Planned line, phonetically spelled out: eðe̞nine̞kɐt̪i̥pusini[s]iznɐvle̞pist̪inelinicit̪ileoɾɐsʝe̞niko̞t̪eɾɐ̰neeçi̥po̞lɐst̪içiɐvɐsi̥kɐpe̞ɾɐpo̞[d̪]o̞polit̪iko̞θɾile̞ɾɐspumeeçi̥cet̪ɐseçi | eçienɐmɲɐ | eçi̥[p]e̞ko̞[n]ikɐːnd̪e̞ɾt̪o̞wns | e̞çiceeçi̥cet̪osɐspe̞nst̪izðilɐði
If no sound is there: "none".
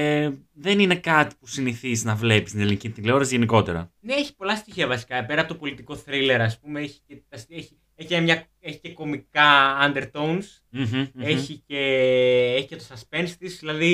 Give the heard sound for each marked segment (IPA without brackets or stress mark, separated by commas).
θ, t̪, c, m